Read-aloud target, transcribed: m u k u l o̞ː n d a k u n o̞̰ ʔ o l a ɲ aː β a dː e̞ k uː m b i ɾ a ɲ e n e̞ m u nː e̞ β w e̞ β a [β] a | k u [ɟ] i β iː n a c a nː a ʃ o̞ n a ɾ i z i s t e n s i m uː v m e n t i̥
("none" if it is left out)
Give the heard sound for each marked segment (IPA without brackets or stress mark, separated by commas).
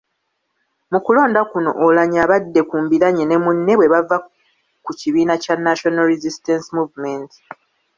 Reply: v, c